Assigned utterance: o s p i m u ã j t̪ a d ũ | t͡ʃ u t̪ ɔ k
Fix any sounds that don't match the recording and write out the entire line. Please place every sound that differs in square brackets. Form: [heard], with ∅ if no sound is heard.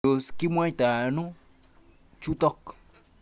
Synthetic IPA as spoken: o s [k] i m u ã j t̪ a [n] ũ | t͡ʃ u t̪ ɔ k